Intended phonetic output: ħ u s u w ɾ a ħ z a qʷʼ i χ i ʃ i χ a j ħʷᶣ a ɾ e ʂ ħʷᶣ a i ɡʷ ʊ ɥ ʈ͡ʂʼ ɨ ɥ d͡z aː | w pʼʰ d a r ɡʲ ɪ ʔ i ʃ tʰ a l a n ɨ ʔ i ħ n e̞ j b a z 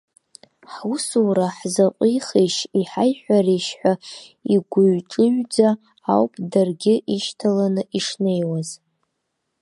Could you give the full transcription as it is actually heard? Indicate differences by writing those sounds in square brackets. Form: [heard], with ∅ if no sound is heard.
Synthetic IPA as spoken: ħ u s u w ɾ a ħ z a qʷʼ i χ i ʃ i [ħ] a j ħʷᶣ a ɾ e [ʃ] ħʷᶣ a i ɡʷ ʊ ɥ ʈ͡ʂʼ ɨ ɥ d͡z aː | w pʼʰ d a r ɡʲ ɪ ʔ i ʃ tʰ a l a n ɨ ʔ i [ʂ] n e̞ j [w] a z